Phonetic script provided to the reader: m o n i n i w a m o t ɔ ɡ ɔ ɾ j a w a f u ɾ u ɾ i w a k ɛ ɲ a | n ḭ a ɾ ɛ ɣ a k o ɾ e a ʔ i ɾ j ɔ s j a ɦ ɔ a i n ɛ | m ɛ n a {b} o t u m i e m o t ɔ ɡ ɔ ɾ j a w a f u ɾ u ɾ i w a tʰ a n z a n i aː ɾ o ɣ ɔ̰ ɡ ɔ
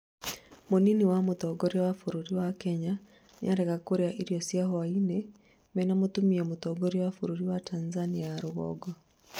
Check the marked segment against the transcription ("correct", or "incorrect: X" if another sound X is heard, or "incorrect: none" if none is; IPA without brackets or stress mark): incorrect: m